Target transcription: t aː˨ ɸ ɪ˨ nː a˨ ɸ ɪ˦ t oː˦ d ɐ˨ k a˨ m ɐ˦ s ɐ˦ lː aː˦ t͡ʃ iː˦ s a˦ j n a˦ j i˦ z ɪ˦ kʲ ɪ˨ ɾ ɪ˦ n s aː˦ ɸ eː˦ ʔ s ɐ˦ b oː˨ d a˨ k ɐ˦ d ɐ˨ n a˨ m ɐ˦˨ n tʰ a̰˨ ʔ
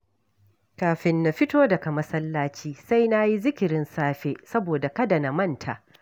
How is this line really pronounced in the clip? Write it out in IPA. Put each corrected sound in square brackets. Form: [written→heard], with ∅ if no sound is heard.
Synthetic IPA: [t→k] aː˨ ɸ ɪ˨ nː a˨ ɸ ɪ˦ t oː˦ d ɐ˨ k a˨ m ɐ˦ s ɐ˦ lː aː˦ t͡ʃ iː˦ s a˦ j n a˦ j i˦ z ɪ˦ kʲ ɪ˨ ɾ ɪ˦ n s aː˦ ɸ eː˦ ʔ s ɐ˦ b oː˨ d a˨ k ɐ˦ d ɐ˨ n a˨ m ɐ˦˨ n tʰ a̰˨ ʔ